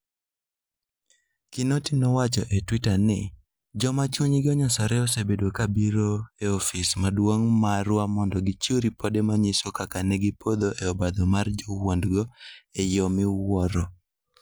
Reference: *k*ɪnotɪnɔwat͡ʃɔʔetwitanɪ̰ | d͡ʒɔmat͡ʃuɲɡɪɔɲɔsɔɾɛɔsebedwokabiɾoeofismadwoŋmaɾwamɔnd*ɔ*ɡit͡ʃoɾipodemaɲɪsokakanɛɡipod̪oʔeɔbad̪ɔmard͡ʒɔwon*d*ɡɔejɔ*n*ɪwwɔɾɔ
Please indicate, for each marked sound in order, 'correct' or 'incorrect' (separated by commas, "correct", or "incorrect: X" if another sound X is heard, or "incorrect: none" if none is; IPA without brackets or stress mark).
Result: correct, correct, correct, incorrect: m